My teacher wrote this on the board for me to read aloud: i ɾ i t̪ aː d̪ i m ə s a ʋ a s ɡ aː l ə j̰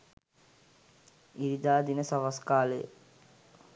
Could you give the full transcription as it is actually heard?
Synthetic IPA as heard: i ɾ i d̪ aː d̪ i n ə s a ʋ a s k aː l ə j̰